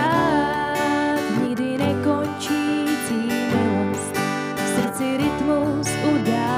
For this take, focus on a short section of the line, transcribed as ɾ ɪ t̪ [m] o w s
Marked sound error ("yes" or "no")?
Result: no